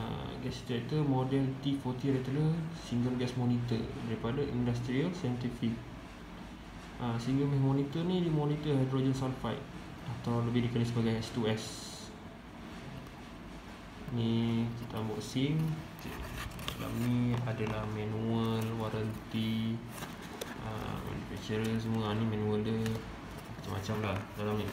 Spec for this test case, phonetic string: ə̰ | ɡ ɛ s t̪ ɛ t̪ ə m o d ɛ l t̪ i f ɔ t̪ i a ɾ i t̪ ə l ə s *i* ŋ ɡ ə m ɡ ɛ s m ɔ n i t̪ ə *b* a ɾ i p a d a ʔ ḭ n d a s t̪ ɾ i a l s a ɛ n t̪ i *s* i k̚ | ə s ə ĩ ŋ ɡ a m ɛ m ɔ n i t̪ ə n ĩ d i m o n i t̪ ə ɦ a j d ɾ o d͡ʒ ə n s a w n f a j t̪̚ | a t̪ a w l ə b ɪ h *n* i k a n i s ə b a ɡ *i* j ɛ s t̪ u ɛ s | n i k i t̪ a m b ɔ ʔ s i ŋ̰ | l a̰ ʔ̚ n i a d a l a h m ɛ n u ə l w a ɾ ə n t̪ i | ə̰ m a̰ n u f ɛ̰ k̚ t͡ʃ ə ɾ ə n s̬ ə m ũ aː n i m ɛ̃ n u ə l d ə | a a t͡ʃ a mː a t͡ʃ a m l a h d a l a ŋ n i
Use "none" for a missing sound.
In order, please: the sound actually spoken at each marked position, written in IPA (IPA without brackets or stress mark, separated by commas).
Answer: i, d, f, d, a